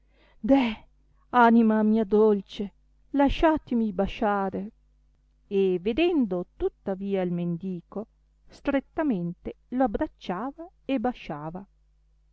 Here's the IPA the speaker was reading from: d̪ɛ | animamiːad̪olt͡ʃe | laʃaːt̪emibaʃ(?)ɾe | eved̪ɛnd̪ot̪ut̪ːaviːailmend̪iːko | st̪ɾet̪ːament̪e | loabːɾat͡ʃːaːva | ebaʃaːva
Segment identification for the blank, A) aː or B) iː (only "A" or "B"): A